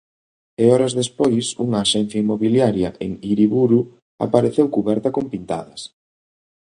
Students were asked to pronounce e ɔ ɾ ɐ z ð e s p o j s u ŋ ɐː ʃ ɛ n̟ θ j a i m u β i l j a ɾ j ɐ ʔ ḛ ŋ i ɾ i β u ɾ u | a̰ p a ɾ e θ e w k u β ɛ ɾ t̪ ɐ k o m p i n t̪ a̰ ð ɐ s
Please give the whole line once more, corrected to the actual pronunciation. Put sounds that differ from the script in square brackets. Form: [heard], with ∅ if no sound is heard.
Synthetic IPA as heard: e ɔ ɾ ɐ z ð e s p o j s u ŋ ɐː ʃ ɛ n̟ θ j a i m [o] β i l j a ɾ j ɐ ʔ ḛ ŋ i ɾ i β u ɾ u | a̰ p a ɾ e θ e w k u β ɛ ɾ t̪ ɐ k o m p i n t̪ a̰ ð ɐ s